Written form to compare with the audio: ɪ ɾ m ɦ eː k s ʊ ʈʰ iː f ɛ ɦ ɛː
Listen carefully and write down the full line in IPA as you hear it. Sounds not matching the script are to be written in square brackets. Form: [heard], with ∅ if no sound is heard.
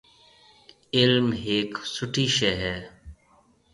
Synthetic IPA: ɪ [l] m ɦ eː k s ʊ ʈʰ iː [ʃ] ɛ ɦ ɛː